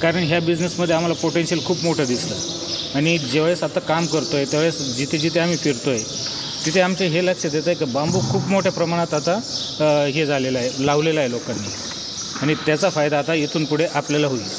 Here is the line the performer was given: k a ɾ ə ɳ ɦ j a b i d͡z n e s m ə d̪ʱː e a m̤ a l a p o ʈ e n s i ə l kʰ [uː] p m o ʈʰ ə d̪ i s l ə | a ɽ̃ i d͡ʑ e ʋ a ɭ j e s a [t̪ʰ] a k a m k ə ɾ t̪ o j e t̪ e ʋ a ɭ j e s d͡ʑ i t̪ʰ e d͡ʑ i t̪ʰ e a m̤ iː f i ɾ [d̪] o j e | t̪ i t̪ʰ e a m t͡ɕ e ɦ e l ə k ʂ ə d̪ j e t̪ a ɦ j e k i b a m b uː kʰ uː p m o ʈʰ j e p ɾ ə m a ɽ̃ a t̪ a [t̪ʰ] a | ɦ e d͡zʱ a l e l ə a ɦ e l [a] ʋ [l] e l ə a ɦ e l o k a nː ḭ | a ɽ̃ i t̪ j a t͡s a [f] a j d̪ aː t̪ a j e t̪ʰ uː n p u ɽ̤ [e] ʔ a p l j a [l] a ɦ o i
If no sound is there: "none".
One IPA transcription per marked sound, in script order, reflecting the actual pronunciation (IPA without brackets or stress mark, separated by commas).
uː, t̪, t̪, t̪, a, l, f, e, l